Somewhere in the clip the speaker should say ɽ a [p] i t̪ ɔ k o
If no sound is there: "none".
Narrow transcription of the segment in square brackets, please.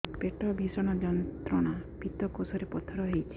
p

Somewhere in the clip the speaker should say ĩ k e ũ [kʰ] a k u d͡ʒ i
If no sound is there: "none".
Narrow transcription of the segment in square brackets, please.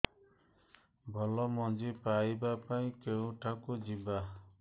ʈʰ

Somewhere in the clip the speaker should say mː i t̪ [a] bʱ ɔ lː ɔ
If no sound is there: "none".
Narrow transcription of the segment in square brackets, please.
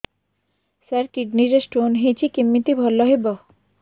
i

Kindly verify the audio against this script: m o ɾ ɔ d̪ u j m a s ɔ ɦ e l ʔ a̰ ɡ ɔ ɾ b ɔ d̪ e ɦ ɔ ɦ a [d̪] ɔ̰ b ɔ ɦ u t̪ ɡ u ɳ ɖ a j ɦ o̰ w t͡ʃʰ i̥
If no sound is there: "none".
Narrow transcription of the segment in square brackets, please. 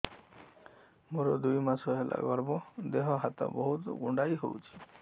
t̪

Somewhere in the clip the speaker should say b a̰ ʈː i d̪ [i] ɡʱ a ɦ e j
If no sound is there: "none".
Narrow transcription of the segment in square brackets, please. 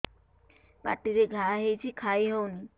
e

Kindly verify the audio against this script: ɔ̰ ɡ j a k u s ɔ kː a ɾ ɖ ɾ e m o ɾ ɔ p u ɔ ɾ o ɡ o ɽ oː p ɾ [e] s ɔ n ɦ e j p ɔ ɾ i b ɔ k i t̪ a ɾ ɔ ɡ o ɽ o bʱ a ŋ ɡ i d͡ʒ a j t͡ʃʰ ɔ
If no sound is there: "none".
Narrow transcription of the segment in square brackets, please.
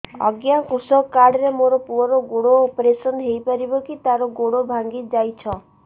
e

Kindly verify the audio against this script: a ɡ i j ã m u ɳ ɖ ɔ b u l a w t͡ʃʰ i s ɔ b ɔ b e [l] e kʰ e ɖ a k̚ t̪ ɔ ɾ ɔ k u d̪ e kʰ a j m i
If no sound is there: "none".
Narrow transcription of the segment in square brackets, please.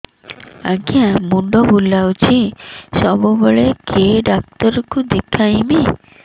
ɭ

